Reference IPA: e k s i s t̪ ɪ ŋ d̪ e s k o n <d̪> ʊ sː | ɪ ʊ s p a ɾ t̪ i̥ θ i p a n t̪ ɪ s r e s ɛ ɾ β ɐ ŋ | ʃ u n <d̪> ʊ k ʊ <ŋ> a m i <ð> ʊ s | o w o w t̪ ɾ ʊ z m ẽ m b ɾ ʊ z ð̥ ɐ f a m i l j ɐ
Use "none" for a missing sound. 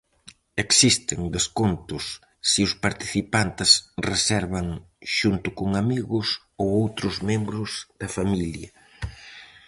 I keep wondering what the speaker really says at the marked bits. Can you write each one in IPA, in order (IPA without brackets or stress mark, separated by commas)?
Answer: t̪, t̪, ŋ, ɣ